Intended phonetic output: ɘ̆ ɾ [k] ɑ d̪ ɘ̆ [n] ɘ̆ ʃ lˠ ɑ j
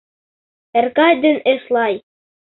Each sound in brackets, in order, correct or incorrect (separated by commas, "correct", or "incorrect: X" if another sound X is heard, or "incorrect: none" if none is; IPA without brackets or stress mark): correct, correct